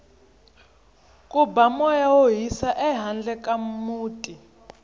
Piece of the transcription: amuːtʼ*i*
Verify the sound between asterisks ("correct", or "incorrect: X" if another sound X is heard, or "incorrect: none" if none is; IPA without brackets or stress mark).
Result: correct